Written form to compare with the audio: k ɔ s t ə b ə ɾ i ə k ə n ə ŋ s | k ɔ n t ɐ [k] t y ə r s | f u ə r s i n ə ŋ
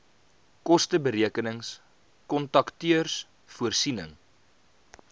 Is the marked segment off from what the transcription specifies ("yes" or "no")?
no